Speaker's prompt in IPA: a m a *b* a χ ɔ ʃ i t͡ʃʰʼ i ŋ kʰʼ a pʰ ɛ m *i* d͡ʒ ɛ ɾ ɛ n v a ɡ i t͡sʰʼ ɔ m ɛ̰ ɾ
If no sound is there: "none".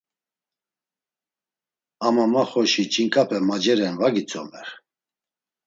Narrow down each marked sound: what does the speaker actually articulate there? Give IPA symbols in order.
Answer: m, a

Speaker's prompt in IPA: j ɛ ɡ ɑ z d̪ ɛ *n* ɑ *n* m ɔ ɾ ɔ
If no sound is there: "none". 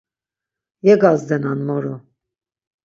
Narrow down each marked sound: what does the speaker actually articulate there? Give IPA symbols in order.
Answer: n, n

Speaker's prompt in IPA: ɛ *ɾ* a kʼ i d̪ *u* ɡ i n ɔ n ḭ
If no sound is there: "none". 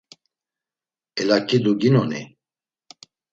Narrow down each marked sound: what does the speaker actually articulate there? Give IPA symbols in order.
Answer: l, u

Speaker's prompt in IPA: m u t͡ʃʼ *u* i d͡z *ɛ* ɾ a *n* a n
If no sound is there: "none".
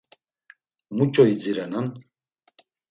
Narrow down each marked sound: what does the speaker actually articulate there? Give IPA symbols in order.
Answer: ɔ, i, n

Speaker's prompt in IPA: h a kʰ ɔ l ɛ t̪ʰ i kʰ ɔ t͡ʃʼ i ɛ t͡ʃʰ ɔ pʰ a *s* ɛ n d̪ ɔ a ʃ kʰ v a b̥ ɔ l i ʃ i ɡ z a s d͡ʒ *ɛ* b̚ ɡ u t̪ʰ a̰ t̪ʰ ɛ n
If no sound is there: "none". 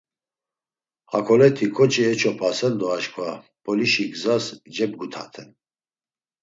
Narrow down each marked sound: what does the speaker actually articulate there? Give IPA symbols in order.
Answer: s, ɛ

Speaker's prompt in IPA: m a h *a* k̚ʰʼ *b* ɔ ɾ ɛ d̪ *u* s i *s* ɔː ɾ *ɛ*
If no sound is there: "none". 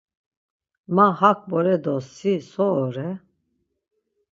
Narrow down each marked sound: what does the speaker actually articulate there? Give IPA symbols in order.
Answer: a, b, ɔ, s, ɛ

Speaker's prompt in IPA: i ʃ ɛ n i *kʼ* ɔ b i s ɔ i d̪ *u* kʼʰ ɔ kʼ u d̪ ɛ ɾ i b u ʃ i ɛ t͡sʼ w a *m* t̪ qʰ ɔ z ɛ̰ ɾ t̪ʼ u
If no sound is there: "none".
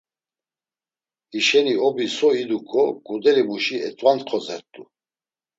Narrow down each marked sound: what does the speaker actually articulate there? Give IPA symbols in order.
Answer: none, u, n

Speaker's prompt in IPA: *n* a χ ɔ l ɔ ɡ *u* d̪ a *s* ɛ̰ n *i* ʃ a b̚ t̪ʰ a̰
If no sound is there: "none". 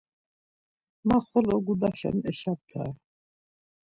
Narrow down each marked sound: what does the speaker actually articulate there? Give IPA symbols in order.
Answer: m, u, ʃ, ɛ

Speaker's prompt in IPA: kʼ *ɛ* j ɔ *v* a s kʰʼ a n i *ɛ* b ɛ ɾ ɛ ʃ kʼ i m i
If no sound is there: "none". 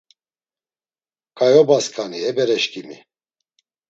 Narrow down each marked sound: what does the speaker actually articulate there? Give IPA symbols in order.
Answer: a, b, ɛ

